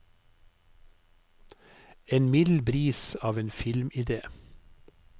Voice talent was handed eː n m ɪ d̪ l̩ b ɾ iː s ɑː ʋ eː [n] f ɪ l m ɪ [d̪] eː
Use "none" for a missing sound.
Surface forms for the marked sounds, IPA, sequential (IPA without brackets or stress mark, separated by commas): n, d̪